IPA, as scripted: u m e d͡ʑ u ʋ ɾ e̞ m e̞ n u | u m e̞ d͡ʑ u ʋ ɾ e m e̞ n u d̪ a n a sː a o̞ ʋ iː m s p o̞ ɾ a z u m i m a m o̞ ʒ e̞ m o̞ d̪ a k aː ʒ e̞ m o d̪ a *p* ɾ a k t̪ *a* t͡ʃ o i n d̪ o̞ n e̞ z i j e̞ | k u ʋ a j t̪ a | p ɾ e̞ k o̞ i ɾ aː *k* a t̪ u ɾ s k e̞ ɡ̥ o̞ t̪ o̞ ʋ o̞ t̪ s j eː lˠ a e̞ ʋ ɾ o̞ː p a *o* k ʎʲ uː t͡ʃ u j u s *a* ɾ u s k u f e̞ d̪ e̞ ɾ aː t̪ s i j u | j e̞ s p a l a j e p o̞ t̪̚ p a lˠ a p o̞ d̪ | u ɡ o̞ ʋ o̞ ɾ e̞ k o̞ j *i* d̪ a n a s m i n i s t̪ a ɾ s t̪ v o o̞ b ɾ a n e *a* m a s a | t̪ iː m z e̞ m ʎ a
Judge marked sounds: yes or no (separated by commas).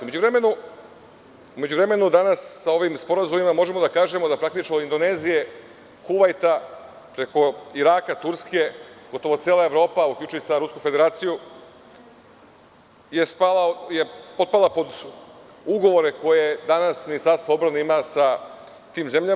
yes, no, yes, no, yes, no, no